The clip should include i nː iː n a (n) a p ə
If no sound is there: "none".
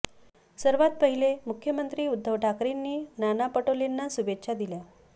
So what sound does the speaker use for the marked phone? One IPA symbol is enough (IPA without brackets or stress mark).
n